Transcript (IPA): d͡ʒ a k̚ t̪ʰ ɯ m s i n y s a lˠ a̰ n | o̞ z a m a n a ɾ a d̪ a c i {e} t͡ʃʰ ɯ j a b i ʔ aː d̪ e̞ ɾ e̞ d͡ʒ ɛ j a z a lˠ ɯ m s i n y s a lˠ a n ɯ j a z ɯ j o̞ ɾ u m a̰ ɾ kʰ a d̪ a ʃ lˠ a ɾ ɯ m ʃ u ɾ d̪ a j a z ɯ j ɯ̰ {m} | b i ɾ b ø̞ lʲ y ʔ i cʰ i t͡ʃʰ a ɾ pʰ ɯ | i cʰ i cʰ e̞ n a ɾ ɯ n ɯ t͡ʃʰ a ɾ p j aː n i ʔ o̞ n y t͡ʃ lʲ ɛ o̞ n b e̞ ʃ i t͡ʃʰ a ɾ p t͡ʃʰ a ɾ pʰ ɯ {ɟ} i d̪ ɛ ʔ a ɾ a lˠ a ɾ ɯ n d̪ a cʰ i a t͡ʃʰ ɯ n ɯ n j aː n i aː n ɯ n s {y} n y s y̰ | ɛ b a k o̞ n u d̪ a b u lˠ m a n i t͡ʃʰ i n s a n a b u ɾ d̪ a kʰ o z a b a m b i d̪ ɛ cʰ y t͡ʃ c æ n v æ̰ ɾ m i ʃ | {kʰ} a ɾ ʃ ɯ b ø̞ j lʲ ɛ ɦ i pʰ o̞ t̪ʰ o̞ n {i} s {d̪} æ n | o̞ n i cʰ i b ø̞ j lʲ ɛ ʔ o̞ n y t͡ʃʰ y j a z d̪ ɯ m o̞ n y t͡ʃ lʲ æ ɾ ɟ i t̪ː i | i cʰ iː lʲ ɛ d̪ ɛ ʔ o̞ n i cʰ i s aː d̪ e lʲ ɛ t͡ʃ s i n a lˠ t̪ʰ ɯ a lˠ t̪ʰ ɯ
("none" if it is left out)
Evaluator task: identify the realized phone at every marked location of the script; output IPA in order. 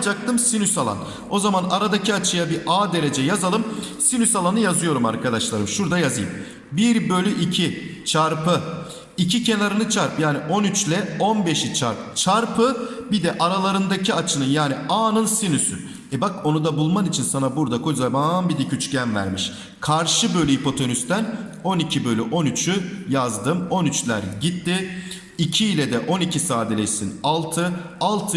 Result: a, m, b, i, kʰ, y, t̪

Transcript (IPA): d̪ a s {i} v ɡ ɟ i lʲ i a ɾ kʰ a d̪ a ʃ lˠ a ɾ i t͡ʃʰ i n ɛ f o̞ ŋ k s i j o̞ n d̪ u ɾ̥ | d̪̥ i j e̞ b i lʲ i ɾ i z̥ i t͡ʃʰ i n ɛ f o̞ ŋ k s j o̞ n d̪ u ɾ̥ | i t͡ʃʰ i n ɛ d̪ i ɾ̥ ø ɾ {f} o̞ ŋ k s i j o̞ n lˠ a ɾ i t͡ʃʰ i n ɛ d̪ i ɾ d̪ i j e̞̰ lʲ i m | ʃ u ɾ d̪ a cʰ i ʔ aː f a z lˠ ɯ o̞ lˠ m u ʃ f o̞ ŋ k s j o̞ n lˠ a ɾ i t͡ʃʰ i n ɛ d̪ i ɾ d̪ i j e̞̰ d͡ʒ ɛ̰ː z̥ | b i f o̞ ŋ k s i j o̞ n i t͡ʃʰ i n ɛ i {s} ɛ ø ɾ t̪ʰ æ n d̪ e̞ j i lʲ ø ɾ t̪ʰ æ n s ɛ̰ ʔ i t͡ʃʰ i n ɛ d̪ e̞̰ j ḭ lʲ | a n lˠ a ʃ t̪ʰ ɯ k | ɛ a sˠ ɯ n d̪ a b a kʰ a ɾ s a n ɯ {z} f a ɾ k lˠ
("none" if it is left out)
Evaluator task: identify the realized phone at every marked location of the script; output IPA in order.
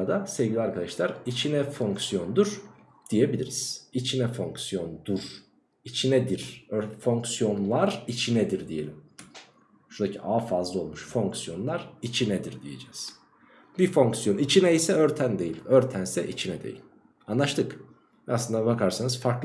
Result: e, f, s, z

